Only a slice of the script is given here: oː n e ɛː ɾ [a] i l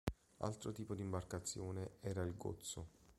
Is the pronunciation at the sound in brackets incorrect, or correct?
correct